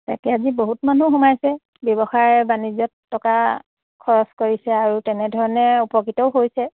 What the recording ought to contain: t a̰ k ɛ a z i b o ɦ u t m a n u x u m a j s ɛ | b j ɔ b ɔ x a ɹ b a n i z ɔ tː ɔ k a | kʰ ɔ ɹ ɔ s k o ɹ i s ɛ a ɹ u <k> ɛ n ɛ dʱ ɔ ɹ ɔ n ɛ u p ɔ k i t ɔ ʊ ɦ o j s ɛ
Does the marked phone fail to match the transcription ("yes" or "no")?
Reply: yes